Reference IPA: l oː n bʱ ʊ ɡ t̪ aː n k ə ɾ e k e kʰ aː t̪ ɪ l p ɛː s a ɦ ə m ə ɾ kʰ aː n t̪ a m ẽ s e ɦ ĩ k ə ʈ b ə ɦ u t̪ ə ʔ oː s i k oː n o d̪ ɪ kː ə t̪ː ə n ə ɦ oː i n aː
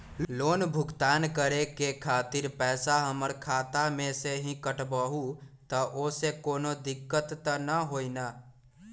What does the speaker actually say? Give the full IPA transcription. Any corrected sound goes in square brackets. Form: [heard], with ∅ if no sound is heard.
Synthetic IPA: l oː n bʱ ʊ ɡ t̪ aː n k ə ɾ e k e kʰ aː t̪ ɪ [ɾ] p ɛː s a ɦ ə m ə ɾ kʰ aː [∅] t̪ a m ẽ s e ɦ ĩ k ə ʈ b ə ɦ u t̪ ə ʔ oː s [e] k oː n o d̪ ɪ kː ə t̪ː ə n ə ɦ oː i n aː